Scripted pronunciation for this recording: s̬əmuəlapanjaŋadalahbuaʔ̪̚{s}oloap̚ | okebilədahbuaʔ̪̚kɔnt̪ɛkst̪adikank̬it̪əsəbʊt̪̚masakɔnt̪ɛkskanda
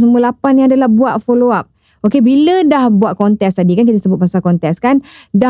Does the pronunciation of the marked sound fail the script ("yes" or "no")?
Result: yes